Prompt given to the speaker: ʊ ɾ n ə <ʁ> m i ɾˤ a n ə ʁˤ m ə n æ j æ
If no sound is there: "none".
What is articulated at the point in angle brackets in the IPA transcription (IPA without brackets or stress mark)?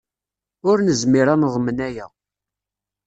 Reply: z